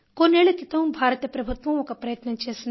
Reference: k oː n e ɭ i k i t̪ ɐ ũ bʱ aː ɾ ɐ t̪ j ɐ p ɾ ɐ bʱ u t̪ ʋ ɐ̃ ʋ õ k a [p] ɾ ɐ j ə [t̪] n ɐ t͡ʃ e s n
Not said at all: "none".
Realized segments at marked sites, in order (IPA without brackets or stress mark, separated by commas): p, t̪